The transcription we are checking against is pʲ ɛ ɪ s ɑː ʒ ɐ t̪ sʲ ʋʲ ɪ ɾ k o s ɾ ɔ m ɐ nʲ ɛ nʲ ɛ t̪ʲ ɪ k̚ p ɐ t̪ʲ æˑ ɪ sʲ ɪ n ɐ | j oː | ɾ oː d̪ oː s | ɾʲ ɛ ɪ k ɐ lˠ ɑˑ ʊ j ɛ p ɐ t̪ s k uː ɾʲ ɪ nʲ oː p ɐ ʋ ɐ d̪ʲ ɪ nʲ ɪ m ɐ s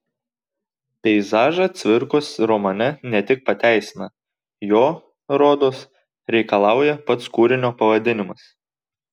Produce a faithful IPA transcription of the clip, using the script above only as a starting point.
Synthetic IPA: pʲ ɛ ɪ z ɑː ʒ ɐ t̪ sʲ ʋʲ ɪ ɾ k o s ɾ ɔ m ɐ nʲ ɛ nʲ ɛ t̪ʲ ɪ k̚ p ɐ t̪ʲ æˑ ɪ sʲ ɪ n ɐ | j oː | ɾ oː d̪ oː s | ɾʲ ɛ ɪ k ɐ lˠ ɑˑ ʊ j ɛ p ɐ t̪ s k uː ɾʲ ɪ nʲ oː p ɐ ʋ ɐ d̪ʲ ɪ nʲ ɪ m ɐ s